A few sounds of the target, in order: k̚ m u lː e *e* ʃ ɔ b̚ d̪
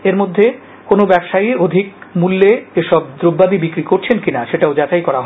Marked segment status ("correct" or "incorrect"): correct